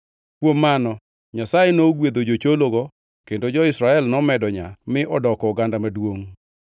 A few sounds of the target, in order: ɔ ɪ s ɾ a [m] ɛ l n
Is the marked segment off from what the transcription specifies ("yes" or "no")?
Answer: yes